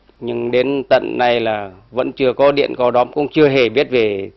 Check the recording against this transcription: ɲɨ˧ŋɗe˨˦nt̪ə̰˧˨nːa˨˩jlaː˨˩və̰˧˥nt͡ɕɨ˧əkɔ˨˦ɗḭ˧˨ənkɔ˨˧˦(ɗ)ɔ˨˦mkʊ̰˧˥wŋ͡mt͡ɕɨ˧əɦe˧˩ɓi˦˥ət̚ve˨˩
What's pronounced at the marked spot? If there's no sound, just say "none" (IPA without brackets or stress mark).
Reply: ɗ